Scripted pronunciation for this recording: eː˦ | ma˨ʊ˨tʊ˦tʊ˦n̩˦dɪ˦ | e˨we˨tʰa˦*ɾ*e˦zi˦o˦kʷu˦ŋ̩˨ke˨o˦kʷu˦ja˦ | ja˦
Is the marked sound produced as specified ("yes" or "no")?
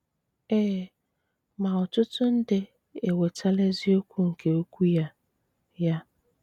no